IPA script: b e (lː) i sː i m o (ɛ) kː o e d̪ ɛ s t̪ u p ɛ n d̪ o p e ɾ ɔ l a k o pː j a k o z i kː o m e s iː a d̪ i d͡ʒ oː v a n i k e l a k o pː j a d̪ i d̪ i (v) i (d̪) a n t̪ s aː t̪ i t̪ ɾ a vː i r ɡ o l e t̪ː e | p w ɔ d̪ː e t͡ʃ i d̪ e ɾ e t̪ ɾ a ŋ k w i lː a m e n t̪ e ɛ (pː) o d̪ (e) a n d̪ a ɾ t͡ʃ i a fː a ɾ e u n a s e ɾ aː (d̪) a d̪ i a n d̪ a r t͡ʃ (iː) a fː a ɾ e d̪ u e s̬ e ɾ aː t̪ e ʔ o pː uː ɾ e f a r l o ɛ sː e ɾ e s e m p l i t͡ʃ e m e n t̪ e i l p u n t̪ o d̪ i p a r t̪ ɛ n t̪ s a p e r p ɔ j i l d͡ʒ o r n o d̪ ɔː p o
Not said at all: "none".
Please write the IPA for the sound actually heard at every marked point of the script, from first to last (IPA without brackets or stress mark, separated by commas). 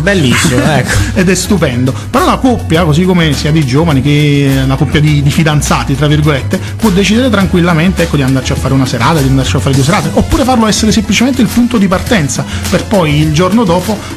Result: lː, ɛ, f, d̪, kː, i, t̪, i